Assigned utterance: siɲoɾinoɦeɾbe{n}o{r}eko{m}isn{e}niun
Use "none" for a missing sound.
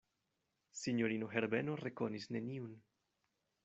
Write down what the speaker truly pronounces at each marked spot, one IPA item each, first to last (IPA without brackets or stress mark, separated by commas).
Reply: n, r, n, e